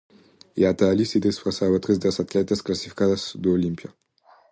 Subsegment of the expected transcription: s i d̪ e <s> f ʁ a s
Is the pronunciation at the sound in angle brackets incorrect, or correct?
correct